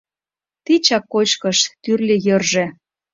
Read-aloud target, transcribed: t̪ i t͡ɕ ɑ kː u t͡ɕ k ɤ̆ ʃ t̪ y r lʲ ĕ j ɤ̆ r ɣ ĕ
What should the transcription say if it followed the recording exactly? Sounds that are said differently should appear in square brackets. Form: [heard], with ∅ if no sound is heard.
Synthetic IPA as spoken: t̪ i t͡ɕ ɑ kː [o] t͡ɕ k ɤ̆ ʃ t̪ y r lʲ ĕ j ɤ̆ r [ʒ] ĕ